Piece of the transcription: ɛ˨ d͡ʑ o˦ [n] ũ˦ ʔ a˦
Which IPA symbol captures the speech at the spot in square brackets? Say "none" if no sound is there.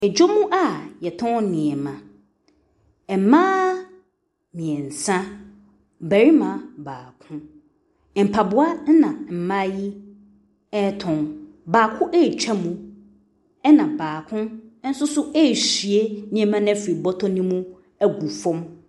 m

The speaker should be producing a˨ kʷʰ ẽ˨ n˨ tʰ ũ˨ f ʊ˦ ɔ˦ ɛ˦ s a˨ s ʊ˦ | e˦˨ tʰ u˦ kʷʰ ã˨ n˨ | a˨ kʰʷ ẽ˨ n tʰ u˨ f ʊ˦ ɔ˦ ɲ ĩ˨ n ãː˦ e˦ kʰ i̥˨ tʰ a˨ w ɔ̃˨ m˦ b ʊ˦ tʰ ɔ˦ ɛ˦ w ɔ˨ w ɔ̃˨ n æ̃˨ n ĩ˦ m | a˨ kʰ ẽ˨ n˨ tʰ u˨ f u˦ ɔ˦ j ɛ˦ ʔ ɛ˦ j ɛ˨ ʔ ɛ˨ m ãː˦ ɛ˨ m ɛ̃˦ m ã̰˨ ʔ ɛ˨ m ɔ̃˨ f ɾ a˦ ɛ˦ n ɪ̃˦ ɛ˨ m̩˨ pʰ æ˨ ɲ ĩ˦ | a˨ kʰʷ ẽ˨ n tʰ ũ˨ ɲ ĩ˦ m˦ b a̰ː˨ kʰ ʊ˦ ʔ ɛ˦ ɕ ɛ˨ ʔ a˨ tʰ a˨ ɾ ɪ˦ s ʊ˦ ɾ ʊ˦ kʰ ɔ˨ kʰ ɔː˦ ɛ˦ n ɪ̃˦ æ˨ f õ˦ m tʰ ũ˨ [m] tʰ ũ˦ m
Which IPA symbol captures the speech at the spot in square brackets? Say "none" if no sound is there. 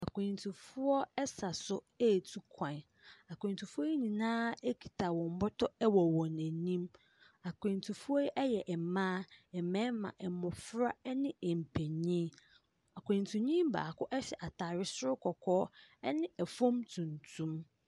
n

